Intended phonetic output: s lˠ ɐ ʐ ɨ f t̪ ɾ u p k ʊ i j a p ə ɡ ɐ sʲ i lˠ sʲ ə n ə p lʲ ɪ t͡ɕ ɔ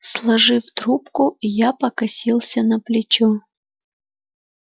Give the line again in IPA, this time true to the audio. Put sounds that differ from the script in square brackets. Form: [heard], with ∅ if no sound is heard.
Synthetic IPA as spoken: s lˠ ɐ ʐ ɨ f t̪ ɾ u p k ʊ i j a p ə [k] ɐ sʲ i lˠ sʲ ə n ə p lʲ ɪ t͡ɕ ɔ